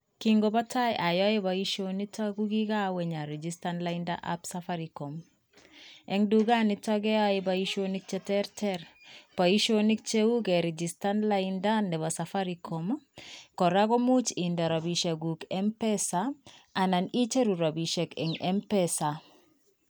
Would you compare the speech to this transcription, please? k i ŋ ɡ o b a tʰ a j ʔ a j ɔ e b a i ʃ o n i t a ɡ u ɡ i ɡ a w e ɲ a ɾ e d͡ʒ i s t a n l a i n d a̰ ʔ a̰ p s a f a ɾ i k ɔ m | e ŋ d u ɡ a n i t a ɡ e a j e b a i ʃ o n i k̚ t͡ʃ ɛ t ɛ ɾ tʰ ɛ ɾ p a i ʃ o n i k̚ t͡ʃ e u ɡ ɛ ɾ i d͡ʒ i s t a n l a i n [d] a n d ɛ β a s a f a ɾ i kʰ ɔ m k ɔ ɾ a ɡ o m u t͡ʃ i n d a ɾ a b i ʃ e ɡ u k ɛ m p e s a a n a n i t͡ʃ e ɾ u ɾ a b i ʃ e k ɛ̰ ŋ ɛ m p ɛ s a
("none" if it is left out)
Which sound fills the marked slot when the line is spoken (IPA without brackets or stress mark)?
d